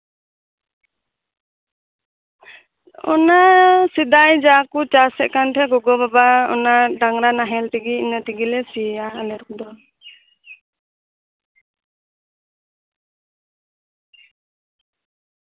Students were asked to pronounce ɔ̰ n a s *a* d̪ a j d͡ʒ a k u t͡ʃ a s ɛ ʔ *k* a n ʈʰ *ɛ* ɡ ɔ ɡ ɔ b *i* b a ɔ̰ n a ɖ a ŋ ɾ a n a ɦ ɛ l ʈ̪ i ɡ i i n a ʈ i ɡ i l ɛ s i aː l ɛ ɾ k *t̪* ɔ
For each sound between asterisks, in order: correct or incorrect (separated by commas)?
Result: incorrect, correct, correct, incorrect, incorrect